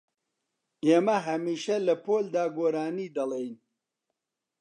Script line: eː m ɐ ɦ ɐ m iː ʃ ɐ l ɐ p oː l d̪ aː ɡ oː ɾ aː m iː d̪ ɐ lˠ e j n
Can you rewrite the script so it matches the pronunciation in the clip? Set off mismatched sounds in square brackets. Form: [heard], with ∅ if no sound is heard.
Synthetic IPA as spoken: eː m ɐ ɦ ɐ m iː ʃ ɐ l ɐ p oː l d̪ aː ɡ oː ɾ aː [n] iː d̪ ɐ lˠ e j n